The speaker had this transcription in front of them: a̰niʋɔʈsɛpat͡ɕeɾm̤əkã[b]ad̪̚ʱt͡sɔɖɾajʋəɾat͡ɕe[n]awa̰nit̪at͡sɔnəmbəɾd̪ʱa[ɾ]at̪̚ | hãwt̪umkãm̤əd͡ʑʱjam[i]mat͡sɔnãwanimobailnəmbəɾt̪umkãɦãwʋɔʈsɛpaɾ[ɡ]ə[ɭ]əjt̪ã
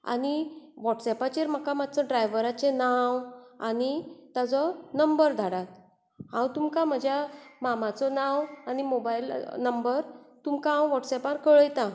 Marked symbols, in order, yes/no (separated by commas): no, yes, no, no, no, yes